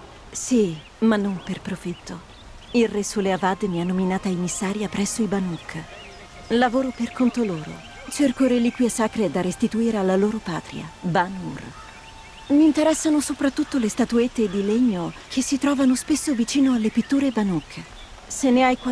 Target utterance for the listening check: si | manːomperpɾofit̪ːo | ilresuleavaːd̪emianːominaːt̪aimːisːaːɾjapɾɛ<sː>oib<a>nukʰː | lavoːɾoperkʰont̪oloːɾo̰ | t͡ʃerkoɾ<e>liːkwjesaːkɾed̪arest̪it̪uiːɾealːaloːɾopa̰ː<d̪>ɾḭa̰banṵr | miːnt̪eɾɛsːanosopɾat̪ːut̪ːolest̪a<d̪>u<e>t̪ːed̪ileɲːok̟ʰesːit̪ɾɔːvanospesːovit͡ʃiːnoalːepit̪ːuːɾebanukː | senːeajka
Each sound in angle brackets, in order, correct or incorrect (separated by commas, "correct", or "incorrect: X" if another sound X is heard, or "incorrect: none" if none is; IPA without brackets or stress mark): correct, correct, correct, incorrect: t̪, incorrect: t̪, correct